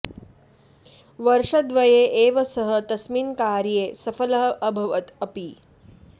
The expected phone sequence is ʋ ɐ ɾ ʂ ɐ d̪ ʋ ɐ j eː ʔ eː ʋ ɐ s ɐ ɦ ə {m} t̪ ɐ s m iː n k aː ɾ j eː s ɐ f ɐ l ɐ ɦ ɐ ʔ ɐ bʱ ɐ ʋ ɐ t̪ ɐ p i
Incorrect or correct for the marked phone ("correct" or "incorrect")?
incorrect